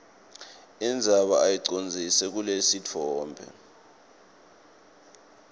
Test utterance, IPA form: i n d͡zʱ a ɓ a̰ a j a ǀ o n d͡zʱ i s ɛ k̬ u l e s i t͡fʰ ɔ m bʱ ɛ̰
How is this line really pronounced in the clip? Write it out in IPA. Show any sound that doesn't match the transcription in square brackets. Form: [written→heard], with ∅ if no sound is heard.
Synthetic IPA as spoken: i n d͡zʱ a ɓ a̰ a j [a→i] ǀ o n d͡zʱ i s ɛ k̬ u l e s i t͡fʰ [ɔ→ɔː] m bʱ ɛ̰